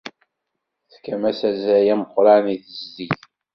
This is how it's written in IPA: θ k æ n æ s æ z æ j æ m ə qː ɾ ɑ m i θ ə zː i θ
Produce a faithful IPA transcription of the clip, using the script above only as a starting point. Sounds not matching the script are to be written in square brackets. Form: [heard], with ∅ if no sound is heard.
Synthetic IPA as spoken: θ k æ [m] æ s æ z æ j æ m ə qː ɾ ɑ [n] i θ ə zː i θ